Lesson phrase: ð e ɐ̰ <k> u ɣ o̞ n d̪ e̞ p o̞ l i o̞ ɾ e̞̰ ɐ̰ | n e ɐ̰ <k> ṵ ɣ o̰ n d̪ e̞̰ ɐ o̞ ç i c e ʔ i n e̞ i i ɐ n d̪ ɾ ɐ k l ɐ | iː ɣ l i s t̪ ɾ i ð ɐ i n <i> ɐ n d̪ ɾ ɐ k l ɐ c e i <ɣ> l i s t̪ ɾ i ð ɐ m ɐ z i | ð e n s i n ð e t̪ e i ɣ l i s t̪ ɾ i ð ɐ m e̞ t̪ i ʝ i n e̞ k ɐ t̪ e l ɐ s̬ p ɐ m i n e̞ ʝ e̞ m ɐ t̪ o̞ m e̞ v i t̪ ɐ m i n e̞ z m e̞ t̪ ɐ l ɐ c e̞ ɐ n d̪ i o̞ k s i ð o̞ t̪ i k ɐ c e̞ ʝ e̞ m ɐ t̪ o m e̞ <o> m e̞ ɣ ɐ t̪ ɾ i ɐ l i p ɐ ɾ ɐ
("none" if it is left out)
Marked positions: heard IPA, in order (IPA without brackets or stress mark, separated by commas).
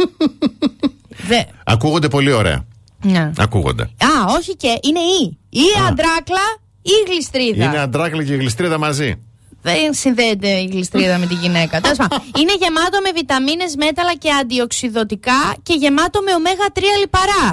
k, k, e, ɣ, o